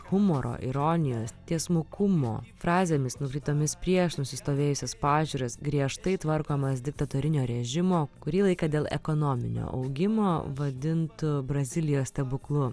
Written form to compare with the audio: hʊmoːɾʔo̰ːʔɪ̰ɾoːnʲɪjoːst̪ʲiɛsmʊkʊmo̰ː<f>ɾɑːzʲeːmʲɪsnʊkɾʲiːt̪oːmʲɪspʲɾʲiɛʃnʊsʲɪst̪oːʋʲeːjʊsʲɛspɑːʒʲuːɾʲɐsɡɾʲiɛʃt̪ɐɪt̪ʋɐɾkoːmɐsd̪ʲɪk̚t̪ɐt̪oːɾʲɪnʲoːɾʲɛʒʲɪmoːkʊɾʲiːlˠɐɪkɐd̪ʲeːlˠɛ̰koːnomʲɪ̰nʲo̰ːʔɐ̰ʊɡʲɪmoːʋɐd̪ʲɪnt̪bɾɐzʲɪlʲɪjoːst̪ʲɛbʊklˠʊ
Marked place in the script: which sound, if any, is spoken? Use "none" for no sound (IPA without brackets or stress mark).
f